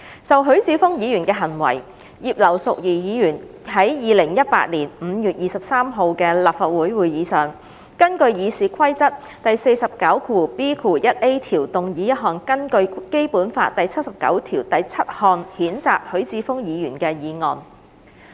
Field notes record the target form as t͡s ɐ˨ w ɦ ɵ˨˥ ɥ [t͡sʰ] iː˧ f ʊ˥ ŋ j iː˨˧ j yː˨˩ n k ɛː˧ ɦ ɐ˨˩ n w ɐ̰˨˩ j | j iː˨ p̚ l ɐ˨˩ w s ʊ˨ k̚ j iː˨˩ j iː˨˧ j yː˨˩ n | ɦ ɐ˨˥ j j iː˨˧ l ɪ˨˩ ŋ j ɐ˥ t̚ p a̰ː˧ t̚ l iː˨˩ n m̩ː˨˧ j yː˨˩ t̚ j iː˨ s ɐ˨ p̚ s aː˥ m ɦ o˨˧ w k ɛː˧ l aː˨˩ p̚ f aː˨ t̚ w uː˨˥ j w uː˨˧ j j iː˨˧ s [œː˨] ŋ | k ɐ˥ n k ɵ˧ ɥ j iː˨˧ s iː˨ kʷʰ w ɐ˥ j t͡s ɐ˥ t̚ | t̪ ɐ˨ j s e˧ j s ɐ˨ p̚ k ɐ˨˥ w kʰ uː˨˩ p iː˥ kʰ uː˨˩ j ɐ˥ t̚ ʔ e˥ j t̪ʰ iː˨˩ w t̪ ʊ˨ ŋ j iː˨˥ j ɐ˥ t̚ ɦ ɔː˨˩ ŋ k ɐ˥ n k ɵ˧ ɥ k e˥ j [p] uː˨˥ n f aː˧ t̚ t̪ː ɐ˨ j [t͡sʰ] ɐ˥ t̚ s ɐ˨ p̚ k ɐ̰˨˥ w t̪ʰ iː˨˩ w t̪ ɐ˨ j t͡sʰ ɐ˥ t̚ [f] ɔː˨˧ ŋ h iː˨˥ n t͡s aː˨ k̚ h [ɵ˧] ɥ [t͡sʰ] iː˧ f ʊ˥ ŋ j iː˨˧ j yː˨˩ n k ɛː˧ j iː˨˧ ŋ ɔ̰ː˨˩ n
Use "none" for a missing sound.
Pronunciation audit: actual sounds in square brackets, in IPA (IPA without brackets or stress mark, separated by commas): t͡s, œː˨, p, t͡sʰ, h, ɵ˨˥, t͡s